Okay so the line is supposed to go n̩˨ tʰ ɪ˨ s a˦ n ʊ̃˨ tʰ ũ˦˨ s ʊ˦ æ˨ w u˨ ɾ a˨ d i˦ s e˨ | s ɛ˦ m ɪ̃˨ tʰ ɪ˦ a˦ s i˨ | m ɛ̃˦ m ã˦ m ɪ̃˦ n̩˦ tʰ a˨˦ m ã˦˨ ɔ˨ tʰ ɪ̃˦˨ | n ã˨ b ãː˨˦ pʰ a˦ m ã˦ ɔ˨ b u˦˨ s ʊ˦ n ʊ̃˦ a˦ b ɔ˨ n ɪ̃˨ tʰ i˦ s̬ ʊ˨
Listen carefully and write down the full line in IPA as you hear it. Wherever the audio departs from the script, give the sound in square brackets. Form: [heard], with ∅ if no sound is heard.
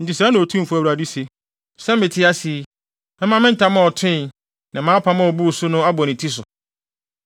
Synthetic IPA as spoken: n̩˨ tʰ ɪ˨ s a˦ n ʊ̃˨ tʰ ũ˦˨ [f] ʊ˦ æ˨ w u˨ ɾ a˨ d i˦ s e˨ | s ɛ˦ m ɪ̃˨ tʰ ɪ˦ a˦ s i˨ | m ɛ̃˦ m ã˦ m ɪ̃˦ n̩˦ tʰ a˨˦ m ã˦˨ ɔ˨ tʰ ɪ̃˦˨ | n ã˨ [m] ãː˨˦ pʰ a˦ m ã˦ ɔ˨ b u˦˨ s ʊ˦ n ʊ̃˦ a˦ b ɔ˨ n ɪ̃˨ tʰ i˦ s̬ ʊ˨